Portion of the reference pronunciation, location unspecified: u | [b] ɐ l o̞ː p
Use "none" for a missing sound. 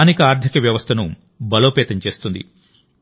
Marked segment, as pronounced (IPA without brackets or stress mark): b